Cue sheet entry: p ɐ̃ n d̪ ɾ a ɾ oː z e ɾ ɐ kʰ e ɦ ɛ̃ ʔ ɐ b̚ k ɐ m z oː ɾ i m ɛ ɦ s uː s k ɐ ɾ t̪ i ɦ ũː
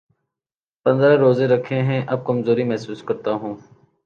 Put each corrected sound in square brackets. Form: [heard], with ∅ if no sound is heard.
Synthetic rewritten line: p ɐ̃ n d̪ ɾ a ɾ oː z e ɾ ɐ kʰ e ɦ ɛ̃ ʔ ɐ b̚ k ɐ m z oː ɾ i m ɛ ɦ s uː s k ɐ ɾ t̪ [a] ɦ ũː